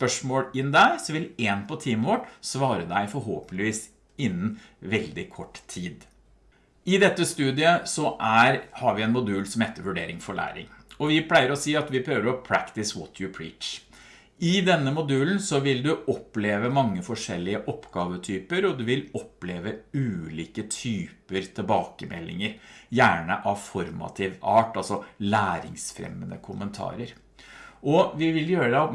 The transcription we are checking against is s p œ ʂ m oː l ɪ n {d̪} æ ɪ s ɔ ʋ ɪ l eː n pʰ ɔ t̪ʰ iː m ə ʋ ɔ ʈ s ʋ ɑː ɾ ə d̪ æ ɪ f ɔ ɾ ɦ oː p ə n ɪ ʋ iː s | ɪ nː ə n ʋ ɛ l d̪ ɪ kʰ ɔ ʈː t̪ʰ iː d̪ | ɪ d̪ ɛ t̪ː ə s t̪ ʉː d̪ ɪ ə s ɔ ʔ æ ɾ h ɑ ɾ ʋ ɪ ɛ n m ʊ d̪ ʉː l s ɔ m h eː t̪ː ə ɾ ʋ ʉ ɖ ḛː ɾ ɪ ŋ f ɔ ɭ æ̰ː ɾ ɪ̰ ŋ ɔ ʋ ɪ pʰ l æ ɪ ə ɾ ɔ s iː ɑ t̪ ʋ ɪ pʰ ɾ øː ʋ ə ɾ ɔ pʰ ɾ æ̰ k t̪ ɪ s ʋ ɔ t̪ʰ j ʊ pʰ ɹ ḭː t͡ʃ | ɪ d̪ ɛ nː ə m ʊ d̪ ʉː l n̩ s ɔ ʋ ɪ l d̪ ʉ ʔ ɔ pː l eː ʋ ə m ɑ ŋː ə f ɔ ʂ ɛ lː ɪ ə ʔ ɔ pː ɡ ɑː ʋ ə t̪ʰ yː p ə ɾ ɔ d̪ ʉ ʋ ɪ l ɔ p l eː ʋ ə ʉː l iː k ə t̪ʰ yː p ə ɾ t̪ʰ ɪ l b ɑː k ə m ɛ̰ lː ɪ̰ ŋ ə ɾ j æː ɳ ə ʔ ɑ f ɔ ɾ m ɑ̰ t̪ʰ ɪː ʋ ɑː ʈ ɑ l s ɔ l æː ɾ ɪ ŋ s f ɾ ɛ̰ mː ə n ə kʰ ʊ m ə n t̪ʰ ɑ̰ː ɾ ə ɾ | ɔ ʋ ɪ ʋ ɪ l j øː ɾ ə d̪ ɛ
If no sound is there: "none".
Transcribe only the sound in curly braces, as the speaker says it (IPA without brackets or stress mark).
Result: d̪